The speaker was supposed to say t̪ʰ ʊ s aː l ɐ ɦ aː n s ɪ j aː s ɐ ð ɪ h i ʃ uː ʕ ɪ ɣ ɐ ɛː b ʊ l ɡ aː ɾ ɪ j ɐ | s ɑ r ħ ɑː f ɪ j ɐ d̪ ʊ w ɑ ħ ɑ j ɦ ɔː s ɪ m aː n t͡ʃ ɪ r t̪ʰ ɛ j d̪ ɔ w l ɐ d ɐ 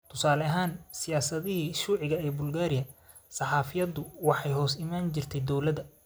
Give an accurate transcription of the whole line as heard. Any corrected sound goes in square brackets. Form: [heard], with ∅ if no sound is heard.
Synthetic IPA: t̪ʰ ʊ s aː l ɐ ɦ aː n s ɪ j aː s ɐ ð ɪ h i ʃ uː ʕ ɪ ɣ ɐ ɛː b ʊ l ɡ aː ɾ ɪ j ɐ | s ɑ [∅] ħ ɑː f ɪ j ɐ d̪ ʊ w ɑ ħ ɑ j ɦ ɔː s ɪ m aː n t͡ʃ ɪ r t̪ʰ ɛ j d̪ ɔ w l ɐ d ɐ